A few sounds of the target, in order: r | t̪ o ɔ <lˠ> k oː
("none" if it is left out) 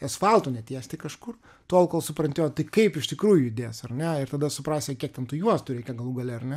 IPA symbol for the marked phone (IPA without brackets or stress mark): lˠ